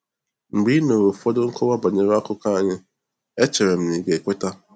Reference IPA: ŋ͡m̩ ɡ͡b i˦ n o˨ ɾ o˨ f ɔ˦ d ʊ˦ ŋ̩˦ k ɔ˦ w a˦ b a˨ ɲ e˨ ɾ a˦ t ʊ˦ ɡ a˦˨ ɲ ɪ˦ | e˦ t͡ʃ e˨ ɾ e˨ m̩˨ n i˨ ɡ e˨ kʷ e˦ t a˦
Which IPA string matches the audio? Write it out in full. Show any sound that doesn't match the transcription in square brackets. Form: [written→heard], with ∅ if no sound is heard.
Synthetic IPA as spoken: ŋ͡m̩ ɡ͡b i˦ n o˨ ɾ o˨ f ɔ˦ d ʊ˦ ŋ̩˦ k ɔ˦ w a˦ b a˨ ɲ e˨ ɾ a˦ [t→k] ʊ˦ [ɡ→k] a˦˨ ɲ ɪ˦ | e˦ t͡ʃ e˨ ɾ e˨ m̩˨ n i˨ ɡ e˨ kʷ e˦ t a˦